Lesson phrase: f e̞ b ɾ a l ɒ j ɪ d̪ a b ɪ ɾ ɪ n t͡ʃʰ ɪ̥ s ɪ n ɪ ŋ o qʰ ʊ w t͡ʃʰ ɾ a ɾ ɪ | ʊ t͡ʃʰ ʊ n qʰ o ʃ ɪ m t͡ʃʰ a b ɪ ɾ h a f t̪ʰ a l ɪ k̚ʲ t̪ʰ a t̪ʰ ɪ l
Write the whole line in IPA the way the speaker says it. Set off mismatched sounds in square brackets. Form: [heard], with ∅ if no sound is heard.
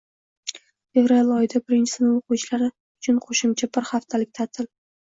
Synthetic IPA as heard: f e̞ [v] ɾ a l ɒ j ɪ d̪ a b ɪ ɾ ɪ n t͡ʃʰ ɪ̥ s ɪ n ɪ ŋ o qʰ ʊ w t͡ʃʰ [l] a ɾ ɪ | ʊ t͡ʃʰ ʊ n qʰ o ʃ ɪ m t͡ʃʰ a b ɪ ɾ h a f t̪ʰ a l ɪ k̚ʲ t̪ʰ a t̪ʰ ɪ l